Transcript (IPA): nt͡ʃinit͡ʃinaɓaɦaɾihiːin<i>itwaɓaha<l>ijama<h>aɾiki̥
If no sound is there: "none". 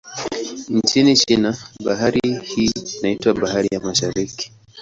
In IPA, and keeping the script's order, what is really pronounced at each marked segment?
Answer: a, ɾ, ʃ

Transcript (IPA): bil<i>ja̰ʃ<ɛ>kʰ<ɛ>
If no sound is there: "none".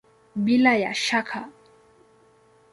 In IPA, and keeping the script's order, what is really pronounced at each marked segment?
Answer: a, a, a

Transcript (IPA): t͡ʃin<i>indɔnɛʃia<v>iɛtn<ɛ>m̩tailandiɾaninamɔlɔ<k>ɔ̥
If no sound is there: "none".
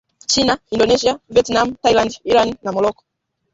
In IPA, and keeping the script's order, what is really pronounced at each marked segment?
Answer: a, v, a, k

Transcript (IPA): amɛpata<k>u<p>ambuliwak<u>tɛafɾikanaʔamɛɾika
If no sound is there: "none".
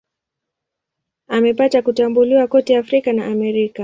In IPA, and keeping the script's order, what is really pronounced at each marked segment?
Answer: k, t, ɔ

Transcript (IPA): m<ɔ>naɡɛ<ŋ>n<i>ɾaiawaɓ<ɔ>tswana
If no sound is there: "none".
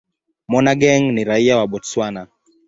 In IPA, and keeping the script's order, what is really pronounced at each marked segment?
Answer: ɔ, ŋ, i, ɔ

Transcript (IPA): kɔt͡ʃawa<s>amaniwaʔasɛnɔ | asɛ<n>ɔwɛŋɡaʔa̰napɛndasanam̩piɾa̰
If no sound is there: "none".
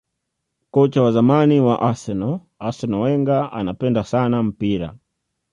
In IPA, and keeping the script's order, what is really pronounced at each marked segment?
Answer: z, n

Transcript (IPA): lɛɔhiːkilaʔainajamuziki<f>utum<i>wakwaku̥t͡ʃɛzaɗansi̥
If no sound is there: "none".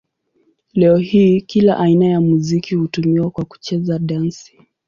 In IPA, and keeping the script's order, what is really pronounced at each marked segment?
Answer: h, i

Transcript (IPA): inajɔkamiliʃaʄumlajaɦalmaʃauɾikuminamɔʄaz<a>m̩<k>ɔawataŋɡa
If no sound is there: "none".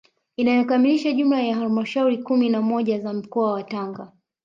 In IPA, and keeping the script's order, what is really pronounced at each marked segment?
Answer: a, k

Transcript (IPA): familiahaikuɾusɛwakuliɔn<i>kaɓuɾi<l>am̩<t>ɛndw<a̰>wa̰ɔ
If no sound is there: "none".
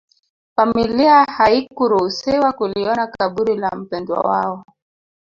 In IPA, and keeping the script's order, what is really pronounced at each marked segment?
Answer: a, l, p, a̰

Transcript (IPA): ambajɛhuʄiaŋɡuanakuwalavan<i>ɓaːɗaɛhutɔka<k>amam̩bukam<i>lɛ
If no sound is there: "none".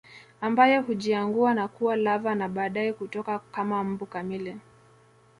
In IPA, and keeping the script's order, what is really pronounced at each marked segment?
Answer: a, k, i

